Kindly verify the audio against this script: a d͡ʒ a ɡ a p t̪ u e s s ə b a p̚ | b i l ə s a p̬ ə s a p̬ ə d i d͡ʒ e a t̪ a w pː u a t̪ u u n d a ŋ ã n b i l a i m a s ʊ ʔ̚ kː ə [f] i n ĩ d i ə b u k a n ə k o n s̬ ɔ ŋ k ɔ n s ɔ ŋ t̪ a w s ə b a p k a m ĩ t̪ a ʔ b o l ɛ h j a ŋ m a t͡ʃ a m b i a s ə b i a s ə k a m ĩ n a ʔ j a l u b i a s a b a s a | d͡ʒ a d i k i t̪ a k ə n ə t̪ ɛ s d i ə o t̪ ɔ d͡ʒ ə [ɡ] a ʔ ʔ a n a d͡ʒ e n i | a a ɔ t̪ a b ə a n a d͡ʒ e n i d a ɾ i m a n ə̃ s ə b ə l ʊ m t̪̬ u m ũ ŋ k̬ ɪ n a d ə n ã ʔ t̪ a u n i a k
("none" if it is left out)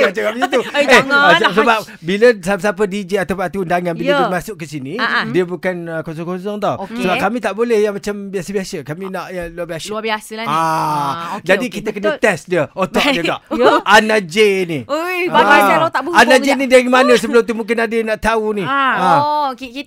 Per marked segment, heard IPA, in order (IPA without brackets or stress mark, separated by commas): s, ɡ